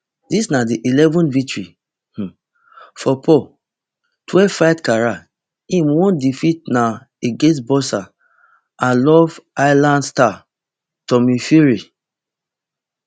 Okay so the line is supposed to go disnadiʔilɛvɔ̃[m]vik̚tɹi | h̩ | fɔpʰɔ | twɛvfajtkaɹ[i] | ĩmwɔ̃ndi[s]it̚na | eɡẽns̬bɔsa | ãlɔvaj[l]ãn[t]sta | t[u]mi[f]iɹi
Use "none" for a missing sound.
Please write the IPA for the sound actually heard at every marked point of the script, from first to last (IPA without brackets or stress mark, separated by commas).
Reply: n, a, f, l, d, ɔ, f